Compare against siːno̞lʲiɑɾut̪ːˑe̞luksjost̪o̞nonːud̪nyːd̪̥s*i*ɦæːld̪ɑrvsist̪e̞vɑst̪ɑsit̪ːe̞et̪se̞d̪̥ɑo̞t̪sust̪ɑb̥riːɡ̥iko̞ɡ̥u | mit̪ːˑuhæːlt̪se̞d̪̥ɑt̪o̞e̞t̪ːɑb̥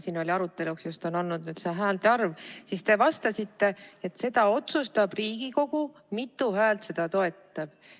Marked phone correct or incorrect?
incorrect